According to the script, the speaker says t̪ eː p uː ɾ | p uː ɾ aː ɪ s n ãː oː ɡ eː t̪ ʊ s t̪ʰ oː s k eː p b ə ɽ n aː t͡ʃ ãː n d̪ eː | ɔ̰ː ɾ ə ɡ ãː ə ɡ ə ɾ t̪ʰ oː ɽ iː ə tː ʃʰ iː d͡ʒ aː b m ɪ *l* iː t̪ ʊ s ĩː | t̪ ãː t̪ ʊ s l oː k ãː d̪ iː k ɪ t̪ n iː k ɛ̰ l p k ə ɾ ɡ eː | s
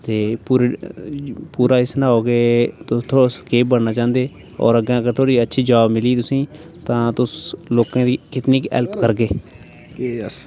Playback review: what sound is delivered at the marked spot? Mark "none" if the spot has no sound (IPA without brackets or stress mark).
l